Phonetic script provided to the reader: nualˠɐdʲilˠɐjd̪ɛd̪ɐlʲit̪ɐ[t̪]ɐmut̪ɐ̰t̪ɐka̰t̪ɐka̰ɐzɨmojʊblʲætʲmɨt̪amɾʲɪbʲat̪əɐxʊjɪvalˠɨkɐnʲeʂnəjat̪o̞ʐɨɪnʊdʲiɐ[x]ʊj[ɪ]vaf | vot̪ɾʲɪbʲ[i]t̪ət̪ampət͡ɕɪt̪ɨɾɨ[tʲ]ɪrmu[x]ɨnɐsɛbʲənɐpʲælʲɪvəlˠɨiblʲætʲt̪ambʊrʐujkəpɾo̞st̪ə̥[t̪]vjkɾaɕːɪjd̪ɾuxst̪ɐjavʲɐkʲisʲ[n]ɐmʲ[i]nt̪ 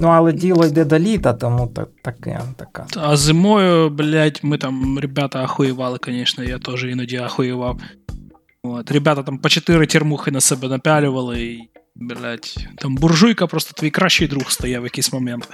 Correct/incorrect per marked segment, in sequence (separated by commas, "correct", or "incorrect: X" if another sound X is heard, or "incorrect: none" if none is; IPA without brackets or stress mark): correct, correct, correct, incorrect: a, correct, correct, correct, incorrect: m, incorrect: e